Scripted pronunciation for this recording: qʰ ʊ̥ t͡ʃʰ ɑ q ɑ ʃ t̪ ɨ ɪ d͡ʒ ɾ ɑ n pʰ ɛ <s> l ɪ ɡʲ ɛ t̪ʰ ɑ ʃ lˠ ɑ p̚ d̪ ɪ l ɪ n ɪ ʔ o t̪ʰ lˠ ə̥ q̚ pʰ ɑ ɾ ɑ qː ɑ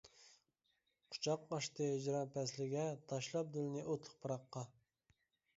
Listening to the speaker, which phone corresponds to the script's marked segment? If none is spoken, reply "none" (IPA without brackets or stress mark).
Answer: s